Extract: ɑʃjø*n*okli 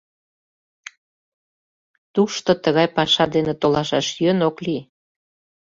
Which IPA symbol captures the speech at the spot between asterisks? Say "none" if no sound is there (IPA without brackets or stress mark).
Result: n